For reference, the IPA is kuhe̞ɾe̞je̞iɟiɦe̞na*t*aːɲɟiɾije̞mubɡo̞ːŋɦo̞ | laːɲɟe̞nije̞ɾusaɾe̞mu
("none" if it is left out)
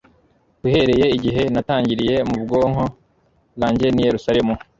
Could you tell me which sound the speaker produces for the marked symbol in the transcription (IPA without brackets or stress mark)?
t